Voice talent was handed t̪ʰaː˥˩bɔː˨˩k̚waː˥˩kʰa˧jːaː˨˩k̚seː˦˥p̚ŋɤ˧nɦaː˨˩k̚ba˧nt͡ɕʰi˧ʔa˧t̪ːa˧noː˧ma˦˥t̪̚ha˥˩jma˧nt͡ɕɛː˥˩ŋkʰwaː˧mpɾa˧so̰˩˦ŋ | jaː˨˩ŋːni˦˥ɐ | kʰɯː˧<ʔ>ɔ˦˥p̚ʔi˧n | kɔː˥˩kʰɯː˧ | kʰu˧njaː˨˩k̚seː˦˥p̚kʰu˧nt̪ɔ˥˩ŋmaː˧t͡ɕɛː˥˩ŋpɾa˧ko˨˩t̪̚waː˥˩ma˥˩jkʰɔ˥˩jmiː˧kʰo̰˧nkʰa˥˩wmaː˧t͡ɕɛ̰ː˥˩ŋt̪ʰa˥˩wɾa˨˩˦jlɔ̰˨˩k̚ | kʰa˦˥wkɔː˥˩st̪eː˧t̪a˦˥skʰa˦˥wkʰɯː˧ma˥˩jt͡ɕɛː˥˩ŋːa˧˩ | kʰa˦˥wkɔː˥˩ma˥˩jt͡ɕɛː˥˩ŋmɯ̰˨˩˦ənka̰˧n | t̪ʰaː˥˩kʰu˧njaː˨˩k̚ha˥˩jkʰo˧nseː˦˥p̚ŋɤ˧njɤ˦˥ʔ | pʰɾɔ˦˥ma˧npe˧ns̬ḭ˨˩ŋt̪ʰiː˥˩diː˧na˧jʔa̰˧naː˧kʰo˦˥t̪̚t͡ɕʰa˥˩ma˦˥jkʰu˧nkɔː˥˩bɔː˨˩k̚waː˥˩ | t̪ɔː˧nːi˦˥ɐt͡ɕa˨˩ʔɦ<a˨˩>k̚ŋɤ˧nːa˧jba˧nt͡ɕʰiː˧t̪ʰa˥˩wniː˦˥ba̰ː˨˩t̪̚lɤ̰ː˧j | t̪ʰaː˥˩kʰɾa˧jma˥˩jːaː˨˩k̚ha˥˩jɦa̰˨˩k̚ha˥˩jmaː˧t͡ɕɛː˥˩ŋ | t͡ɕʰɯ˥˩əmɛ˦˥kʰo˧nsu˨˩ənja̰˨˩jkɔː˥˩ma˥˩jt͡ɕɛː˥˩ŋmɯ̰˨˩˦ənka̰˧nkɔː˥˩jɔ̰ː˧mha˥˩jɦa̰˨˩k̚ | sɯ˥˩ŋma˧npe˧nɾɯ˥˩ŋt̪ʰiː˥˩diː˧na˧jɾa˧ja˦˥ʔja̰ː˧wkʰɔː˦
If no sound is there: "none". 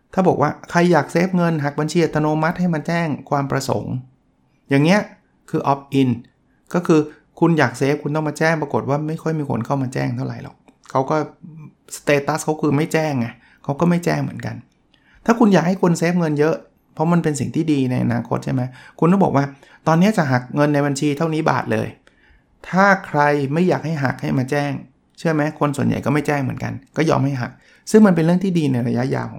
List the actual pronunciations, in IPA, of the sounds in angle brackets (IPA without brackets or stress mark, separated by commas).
ʔ, a˨˩